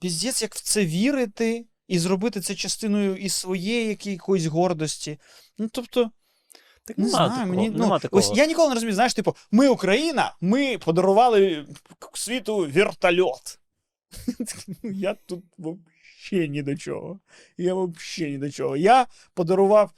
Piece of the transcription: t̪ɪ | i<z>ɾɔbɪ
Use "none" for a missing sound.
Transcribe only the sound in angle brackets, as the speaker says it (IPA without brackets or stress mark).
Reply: z